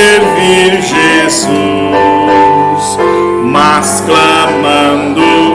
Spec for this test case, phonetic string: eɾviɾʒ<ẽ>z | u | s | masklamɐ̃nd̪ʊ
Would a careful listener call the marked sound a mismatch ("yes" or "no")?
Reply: yes